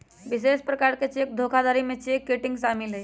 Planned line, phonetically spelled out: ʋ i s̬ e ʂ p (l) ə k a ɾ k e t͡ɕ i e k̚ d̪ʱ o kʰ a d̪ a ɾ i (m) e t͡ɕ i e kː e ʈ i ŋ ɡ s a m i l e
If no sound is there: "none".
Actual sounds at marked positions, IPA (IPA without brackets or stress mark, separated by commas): ɾ, m